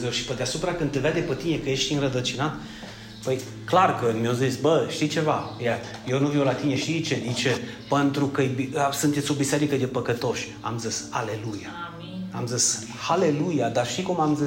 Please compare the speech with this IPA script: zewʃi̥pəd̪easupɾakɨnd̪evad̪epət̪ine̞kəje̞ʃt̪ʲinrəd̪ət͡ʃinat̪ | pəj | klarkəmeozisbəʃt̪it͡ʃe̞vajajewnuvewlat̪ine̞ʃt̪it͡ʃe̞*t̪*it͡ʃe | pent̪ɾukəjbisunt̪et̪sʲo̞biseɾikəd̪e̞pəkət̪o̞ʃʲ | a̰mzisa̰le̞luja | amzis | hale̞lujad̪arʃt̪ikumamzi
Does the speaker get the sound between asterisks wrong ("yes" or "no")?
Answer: yes